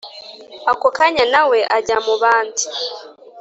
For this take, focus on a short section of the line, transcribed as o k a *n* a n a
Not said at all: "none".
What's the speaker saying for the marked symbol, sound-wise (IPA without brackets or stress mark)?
ɲ